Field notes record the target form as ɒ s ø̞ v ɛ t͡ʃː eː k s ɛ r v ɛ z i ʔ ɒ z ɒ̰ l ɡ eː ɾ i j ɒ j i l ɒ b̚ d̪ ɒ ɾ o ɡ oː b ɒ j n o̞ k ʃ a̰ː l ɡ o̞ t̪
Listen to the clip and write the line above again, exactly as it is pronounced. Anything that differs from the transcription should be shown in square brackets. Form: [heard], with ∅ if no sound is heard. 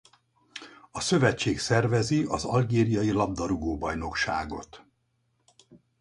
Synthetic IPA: ɒ s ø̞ v ɛ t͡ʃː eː k s ɛ r v ɛ z i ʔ ɒ z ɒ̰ l ɡ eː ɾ i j ɒ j i l ɒ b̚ d̪ ɒ ɾ [u] ɡ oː b ɒ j n o̞ k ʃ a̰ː [∅] ɡ o̞ t̪